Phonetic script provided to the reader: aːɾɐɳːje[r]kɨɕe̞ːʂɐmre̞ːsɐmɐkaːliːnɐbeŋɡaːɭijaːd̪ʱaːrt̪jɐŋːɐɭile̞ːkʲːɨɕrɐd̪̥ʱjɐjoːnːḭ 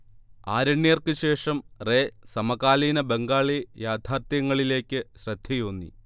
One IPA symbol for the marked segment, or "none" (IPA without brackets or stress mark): r